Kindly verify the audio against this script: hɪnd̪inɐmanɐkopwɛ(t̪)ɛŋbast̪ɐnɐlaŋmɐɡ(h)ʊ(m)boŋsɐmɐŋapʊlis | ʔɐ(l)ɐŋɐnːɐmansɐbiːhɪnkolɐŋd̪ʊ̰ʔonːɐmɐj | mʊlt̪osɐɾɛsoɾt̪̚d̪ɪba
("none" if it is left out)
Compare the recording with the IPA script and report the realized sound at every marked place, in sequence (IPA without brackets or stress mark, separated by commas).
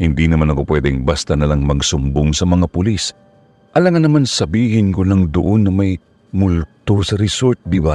d̪, s, m, l